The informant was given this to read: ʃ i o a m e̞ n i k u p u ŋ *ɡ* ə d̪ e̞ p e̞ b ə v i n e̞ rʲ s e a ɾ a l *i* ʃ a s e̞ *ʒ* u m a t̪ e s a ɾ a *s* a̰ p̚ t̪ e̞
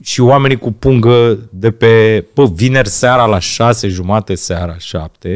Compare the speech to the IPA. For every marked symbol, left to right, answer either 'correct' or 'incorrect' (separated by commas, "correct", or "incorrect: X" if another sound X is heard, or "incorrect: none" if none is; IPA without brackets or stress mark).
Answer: correct, incorrect: a, correct, incorrect: ʃ